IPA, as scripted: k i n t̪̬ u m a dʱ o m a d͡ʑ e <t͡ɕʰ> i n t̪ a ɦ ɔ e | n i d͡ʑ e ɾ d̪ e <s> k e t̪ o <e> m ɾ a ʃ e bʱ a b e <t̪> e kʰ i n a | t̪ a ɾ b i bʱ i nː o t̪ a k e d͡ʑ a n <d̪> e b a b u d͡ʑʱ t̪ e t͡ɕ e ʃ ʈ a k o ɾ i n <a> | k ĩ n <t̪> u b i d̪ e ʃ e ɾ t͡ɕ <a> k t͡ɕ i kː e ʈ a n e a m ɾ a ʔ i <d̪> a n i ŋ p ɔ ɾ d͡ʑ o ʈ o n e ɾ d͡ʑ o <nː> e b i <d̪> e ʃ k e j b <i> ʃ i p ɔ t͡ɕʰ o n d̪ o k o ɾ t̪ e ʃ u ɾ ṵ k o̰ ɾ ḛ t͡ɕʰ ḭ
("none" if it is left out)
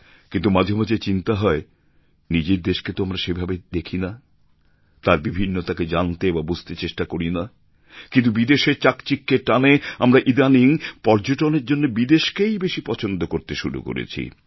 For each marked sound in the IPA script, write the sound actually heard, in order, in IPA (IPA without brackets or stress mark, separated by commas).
t͡ɕ, ʃ, a, d̪, t̪, a, t̪, a, d̪, nː, d̪, e